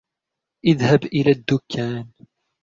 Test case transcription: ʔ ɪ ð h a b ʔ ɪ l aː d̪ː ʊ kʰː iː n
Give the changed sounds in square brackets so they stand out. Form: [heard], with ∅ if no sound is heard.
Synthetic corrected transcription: ʔ ɪ ð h a b ʔ ɪ l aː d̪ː ʊ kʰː [aː] n